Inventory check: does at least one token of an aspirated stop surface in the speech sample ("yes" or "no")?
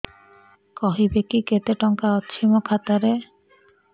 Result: yes